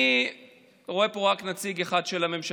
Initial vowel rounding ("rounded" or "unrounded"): rounded